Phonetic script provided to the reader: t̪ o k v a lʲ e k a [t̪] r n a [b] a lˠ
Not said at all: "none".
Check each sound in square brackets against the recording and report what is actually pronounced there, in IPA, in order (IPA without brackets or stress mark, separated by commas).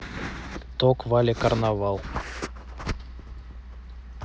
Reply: none, v